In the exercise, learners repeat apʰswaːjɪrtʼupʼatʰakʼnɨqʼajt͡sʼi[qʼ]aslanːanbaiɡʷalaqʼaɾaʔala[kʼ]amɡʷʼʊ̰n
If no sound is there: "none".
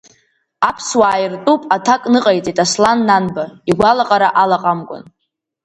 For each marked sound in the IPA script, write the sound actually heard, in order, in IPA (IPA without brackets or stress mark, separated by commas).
tʼ, qʼ